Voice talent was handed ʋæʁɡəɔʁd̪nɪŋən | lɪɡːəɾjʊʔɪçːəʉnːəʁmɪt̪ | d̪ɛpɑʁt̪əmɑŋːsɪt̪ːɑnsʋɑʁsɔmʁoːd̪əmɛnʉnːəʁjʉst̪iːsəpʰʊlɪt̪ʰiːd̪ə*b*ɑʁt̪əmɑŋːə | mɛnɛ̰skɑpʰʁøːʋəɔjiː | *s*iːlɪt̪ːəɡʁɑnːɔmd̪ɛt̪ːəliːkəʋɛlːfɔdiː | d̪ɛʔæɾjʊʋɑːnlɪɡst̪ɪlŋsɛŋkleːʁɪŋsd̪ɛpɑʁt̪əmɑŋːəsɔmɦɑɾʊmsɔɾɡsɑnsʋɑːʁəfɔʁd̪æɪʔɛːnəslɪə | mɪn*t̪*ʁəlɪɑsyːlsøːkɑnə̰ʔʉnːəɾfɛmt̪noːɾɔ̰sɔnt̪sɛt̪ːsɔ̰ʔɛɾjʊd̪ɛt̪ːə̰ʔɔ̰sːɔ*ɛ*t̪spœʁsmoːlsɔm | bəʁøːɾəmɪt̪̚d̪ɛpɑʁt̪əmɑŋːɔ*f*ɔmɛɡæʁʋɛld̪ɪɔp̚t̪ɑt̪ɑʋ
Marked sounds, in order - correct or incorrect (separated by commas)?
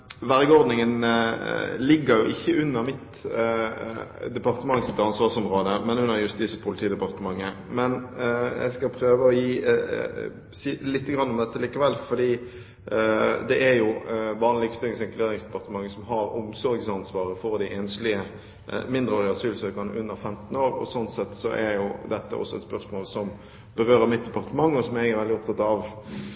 incorrect, correct, incorrect, correct, incorrect